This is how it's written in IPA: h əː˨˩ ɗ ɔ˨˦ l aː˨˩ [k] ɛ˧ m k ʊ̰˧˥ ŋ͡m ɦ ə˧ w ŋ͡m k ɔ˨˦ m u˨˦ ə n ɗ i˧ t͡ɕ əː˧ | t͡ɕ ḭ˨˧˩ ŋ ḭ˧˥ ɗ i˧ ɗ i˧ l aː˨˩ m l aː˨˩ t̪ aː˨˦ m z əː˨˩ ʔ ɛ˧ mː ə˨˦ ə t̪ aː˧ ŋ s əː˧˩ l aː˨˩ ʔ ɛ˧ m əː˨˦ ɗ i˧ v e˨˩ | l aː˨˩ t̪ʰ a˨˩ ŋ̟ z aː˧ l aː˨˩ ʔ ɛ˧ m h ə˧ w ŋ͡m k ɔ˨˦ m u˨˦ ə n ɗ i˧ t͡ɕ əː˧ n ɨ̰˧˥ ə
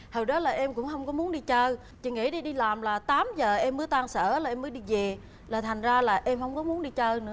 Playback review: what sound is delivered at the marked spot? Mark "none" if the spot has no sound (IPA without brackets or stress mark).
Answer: ʔ